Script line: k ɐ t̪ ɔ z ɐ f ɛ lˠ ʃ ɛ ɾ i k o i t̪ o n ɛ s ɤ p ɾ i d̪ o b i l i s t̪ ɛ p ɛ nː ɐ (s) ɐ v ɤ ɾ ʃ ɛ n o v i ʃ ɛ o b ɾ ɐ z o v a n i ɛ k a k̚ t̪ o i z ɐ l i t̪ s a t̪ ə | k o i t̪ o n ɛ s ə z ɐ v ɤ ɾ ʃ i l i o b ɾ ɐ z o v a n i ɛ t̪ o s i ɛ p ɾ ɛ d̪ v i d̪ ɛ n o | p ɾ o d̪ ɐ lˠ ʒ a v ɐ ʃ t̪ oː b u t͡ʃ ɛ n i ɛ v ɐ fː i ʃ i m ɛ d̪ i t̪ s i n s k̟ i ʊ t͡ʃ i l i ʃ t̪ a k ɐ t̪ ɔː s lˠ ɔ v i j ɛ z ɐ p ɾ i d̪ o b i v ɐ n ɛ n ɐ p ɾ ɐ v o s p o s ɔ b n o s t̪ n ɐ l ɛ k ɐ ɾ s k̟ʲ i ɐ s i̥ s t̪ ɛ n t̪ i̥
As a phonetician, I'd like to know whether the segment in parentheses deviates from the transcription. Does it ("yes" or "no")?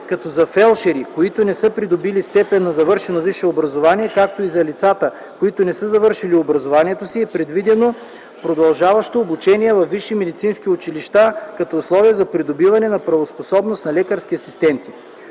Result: yes